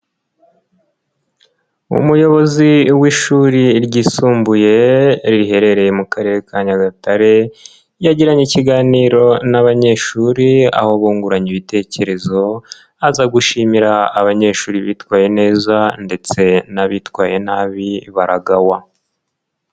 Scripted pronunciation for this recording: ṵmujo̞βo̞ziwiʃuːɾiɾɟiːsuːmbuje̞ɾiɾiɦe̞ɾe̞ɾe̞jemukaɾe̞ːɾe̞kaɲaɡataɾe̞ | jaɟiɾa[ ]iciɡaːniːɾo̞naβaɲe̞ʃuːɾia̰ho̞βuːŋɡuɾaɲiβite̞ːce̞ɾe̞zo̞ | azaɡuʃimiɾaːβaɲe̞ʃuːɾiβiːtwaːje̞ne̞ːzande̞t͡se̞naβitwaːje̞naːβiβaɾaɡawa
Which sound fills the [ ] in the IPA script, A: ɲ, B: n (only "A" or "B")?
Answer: A